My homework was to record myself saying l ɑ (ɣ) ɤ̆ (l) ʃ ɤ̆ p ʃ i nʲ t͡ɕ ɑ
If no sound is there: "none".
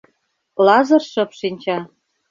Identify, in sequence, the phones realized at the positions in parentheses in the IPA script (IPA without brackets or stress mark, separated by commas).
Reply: z, r